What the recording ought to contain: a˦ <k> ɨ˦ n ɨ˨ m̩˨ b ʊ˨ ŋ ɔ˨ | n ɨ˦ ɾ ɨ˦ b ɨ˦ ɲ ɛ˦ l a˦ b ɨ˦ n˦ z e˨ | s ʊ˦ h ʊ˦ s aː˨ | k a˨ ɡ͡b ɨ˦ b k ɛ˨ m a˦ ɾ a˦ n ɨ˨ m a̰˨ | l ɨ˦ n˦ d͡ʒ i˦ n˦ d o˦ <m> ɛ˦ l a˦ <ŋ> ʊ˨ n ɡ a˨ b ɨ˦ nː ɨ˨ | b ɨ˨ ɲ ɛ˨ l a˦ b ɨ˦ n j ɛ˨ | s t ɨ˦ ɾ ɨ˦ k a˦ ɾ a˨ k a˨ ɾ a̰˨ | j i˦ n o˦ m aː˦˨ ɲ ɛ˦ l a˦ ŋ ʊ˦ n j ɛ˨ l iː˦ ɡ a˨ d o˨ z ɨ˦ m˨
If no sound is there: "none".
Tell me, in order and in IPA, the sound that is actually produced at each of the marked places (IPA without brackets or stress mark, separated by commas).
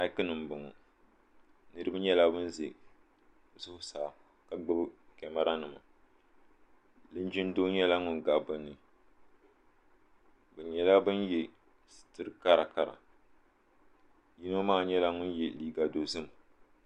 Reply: k, ɲ, ŋ